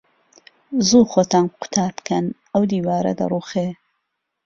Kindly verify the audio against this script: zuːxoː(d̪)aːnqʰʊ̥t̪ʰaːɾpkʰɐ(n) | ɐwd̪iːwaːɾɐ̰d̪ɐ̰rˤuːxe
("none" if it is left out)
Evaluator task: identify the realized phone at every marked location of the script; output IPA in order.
t̪, n

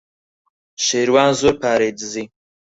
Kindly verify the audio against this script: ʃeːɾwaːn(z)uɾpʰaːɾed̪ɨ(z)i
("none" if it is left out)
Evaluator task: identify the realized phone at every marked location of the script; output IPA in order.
z, z

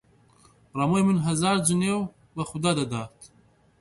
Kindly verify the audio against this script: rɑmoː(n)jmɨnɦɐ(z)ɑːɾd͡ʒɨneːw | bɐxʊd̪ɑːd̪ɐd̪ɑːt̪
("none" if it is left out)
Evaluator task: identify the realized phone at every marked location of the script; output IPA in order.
none, z

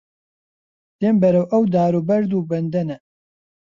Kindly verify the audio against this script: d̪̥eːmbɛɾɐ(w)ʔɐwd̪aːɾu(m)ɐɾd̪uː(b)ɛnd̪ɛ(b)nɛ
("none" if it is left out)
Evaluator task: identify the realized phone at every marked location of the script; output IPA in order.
w, b, b, none

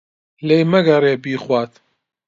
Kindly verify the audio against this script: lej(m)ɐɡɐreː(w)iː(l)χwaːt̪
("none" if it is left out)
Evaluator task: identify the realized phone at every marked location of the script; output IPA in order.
m, b, none

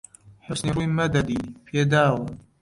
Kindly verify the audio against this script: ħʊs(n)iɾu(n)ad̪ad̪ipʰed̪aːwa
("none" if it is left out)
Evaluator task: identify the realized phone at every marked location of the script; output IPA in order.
n, m

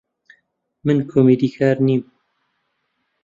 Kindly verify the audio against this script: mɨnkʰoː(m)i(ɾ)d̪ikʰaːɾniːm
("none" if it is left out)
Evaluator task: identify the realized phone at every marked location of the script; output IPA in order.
m, none

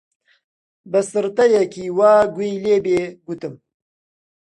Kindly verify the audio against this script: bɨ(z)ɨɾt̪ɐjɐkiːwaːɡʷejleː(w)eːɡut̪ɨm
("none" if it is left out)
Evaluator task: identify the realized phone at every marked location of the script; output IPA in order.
s, b

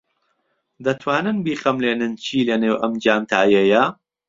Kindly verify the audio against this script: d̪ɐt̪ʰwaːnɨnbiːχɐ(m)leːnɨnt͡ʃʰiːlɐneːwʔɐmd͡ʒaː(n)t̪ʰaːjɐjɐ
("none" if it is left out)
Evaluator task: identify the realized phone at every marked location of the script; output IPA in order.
m, m

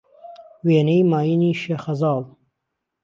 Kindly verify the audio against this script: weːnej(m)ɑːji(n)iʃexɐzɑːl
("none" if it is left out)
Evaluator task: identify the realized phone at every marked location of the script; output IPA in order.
m, n

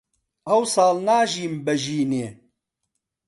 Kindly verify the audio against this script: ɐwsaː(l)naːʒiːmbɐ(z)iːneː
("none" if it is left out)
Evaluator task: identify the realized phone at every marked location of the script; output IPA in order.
l, ʒ

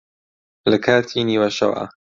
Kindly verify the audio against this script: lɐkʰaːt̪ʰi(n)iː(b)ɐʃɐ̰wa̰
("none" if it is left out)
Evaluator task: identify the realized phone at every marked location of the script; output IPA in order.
n, w

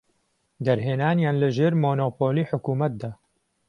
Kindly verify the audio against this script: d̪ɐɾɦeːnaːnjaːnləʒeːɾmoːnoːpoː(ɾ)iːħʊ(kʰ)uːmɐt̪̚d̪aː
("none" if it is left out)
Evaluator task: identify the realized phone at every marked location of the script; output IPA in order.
l, k

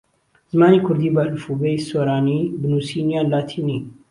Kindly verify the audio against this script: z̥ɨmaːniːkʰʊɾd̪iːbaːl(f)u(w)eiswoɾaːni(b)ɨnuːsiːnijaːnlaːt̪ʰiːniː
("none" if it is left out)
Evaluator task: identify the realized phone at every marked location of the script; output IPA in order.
f, b, b

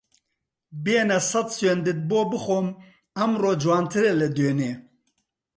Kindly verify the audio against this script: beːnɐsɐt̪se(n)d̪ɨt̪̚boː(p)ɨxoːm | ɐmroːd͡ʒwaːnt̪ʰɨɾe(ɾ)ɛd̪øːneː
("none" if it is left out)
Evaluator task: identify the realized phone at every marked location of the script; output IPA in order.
n, b, l

